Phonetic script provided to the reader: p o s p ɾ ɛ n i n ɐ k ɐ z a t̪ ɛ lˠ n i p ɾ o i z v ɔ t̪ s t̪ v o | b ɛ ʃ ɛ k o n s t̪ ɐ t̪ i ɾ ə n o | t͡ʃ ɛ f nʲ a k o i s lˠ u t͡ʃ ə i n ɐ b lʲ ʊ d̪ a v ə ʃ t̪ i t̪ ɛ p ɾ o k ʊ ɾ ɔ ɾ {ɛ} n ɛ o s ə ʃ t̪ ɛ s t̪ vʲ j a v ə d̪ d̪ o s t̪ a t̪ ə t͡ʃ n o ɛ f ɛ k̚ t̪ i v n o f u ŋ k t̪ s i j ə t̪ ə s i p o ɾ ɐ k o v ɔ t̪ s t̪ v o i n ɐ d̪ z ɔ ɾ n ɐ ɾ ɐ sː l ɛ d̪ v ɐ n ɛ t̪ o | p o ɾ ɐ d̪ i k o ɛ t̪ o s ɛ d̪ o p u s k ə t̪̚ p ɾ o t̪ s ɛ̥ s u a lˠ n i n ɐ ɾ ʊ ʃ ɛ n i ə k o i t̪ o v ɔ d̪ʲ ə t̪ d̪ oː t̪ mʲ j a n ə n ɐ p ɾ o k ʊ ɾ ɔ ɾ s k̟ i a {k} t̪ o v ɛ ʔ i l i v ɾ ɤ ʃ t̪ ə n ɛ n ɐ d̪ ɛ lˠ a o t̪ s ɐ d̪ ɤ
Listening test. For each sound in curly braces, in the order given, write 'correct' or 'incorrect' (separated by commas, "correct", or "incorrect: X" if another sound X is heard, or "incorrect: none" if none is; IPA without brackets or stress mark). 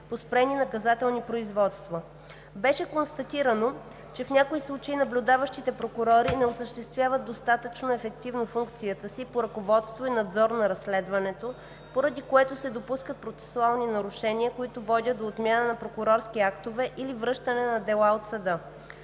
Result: incorrect: i, correct